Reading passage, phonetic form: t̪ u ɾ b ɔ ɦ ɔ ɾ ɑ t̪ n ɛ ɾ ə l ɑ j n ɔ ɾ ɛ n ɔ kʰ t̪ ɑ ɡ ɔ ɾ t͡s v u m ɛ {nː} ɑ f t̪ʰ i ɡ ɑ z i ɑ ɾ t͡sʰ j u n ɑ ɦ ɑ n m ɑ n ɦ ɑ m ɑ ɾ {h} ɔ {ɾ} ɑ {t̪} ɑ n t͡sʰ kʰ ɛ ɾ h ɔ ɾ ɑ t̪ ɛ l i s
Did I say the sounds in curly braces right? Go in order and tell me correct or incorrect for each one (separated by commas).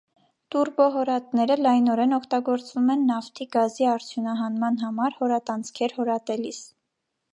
correct, correct, correct, correct